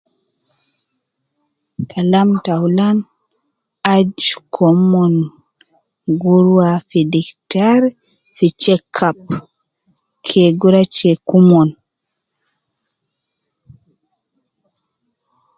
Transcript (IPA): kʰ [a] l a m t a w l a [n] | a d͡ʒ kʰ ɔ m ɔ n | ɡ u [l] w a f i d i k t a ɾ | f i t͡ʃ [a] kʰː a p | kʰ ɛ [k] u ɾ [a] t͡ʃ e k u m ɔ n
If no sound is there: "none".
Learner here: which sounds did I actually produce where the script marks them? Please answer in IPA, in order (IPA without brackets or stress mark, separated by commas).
a, n, ɾ, ɛ, ɡ, a